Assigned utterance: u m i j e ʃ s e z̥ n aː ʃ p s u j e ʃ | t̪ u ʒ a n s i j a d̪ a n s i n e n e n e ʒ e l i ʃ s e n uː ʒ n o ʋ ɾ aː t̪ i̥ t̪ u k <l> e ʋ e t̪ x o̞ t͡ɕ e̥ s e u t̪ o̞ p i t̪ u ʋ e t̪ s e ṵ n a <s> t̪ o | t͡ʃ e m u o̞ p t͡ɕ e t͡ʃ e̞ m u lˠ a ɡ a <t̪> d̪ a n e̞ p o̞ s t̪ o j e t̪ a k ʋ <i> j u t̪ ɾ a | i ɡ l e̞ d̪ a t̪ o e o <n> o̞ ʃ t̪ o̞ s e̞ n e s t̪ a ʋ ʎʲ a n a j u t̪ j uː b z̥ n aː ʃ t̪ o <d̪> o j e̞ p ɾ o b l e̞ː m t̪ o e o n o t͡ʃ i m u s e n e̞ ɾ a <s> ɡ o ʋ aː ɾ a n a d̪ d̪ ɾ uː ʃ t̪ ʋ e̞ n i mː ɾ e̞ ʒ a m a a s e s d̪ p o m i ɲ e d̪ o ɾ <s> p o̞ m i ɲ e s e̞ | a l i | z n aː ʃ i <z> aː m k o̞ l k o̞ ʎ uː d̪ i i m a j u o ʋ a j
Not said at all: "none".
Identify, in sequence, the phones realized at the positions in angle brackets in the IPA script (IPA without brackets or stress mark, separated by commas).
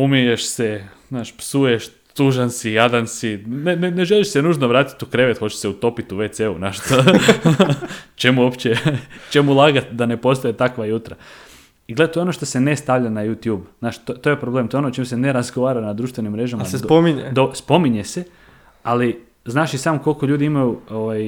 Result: ɾ, ʃ, t̪, a, n, t̪, z, s, s